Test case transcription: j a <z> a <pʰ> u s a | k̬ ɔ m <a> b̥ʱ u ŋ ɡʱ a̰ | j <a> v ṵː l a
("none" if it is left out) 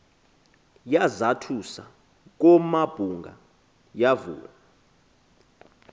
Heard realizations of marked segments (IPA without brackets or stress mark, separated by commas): z, tʰ, a, a